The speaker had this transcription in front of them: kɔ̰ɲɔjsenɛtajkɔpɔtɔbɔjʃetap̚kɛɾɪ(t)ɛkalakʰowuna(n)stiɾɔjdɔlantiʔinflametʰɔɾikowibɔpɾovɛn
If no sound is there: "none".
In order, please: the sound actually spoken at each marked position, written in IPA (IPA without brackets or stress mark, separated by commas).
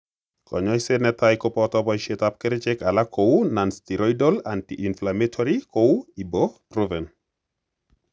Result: t͡ʃ, n